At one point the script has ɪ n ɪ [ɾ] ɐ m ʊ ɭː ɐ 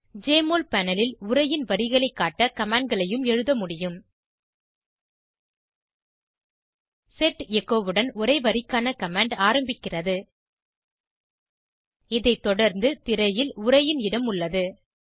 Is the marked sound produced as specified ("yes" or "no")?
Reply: no